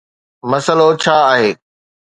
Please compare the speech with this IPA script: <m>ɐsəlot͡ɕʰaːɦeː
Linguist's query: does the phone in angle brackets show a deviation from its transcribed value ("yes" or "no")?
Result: no